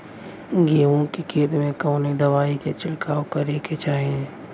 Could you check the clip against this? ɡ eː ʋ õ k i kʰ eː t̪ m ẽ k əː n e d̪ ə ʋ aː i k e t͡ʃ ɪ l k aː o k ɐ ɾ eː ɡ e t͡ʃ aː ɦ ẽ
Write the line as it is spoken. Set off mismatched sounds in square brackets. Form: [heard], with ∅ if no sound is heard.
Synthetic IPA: ɡ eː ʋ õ k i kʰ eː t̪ m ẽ k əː n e d̪ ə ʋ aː i k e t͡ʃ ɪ l k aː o k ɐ ɾ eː [k] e t͡ʃ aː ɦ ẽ